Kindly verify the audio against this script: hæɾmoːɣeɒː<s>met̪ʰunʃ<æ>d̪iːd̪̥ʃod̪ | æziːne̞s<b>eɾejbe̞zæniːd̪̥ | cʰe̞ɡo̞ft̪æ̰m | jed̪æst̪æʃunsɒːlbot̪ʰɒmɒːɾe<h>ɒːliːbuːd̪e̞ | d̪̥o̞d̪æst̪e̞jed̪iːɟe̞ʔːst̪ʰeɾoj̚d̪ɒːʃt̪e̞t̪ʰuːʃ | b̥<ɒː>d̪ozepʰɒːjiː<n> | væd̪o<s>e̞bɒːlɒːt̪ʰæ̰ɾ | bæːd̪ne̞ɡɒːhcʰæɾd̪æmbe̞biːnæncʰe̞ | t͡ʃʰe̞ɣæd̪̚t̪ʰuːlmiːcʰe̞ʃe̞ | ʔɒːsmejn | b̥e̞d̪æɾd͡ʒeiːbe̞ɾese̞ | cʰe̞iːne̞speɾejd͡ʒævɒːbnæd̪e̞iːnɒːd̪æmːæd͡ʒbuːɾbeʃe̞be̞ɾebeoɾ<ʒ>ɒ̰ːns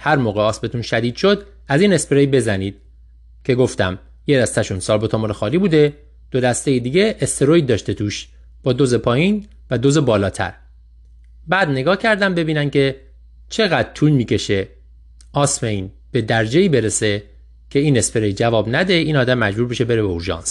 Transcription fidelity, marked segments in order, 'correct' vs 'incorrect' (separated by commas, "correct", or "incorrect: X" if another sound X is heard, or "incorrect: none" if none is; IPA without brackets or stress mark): correct, correct, incorrect: p, incorrect: x, correct, correct, incorrect: z, correct